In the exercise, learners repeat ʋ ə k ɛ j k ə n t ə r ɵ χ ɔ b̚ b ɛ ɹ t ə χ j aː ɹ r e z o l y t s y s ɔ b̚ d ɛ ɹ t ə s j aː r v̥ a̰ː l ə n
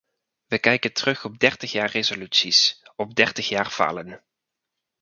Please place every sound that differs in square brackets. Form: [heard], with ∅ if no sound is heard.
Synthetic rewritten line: ʋ ə k ɛ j k ə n t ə r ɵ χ ɔ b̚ [d] ɛ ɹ t ə χ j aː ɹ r e z o l y t s [i] s ɔ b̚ d ɛ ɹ t ə [χ] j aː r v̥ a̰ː l ə n